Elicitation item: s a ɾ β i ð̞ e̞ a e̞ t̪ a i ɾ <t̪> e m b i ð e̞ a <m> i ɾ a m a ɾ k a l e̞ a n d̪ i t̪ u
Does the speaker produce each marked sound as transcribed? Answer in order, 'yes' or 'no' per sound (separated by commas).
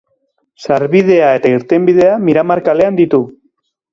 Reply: yes, yes